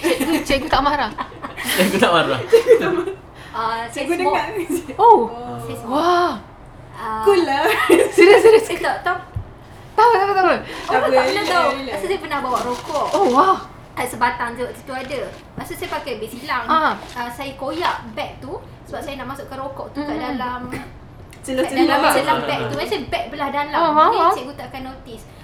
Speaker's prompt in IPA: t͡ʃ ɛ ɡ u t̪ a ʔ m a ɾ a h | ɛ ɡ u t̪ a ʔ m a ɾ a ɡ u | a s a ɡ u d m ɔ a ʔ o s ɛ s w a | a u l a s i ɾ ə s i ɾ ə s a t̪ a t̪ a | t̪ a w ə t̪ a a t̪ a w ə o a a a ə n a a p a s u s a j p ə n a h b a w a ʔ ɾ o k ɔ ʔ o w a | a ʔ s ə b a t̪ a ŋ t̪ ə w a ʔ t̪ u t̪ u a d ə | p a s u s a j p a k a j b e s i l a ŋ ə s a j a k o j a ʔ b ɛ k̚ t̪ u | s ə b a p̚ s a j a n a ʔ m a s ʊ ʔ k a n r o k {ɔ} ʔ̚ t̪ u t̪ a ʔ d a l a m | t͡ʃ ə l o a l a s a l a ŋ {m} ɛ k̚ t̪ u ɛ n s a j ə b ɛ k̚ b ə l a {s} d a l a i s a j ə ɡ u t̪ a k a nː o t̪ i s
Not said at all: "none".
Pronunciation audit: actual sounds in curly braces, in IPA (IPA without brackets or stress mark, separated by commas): ɔ, b, h